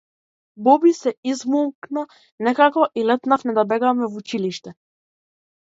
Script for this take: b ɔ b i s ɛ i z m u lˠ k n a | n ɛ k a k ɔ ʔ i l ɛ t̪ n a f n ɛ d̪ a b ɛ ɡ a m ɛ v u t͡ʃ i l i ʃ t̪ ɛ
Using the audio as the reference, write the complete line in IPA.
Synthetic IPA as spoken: b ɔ b i s ɛ i z m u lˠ k n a | n ɛ k a k ɔ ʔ i l ɛ t̪ n a f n ɛ d̪ a b ɛ ɡ a m ɛ v u t͡ʃ i l i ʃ t̪ ɛ

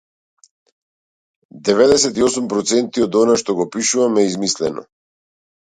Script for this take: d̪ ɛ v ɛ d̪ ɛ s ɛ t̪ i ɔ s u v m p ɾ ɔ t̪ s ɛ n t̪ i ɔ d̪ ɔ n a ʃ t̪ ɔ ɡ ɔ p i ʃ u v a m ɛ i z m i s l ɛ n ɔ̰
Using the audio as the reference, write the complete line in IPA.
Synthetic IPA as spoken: d̪ ɛ v ɛ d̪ ɛ s ɛ t̪ i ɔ s u m p ɾ ɔ t̪ s ɛ n t̪ i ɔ d̪ ɔ n a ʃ t̪ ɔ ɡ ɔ p i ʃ u v a m ɛ i z m i s l ɛ n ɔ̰

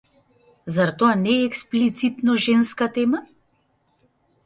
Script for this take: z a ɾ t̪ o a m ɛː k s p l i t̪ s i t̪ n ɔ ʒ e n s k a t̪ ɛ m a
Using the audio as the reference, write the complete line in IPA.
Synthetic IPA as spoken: z a ɾ t̪ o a n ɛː k s p l i t̪ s i t̪ n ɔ ʒ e n s k a t̪ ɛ m a

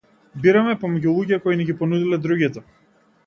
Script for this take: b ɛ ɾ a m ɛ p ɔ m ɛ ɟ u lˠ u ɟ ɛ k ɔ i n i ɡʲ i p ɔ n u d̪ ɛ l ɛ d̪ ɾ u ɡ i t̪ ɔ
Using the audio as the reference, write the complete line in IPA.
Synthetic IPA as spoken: b i ɾ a m ɛ p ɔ m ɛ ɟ u lˠ u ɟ ɛ k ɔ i n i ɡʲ i p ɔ n u d̪ i l ɛ d̪ ɾ u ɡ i t̪ ɔ

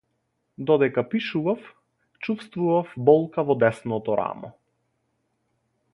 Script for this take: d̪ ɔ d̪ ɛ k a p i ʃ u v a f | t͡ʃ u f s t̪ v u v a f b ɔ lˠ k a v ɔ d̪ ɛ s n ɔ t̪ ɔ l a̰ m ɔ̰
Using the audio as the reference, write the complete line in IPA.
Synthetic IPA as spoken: d̪ ɔ d̪ ɛ k a p i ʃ u v a f | t͡ʃ u f s t̪ v u v a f b ɔ lˠ k a v ɔ d̪ ɛ s n ɔ t̪ ɔ ɾ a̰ m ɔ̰

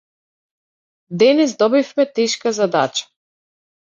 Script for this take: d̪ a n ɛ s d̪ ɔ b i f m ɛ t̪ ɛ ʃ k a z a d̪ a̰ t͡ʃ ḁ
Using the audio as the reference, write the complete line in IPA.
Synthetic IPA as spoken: d̪ ɛ n ɛ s d̪ ɔ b i f m ɛ t̪ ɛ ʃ k a z a d̪ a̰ t͡ʃ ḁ

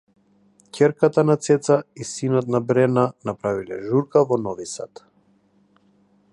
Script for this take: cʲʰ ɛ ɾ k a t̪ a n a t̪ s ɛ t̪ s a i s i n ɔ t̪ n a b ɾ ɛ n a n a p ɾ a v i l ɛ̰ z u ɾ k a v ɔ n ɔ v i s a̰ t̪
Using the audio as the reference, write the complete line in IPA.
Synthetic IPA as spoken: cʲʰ ɛ ɾ k a t̪ a n a t̪ s ɛ t̪ s a i s i n ɔ t̪ n a b ɾ ɛ n a n a p ɾ a v i l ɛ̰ ʒ u ɾ k a v ɔ n ɔ v i s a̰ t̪

